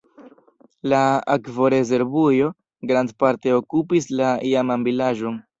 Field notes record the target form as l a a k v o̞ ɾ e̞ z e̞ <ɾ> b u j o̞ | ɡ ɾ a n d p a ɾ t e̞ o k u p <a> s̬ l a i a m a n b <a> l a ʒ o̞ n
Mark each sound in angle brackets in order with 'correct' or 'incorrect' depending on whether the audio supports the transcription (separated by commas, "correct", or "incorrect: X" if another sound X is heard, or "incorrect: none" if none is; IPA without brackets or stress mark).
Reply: correct, incorrect: i, incorrect: i